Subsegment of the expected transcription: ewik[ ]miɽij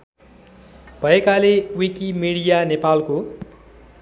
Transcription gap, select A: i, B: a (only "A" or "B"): A